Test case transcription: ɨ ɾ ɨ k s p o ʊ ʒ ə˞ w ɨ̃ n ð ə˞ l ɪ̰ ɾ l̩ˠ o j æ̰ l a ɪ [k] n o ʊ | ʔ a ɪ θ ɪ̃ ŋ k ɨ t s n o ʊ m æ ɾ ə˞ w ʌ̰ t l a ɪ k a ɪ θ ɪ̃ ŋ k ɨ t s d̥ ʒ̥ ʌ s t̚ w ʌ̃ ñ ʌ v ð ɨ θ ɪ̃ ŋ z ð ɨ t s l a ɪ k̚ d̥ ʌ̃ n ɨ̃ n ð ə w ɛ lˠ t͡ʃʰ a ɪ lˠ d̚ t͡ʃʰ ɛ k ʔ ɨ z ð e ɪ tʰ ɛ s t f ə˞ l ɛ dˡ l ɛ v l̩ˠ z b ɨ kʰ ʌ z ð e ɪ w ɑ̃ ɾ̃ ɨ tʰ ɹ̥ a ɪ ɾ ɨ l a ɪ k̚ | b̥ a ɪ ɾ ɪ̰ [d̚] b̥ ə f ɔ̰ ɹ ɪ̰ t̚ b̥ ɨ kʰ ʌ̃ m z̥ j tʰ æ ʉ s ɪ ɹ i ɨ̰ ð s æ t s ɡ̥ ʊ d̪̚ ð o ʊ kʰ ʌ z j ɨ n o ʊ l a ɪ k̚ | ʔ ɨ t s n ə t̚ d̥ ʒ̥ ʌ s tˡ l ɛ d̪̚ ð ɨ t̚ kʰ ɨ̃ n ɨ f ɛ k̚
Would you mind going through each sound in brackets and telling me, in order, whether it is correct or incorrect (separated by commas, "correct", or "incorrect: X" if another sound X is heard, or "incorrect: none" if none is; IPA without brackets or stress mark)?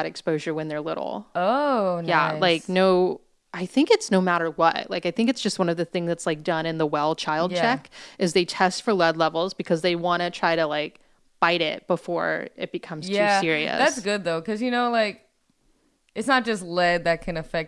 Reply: correct, incorrect: t̚